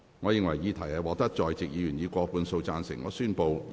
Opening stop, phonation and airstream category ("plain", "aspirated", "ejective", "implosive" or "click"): aspirated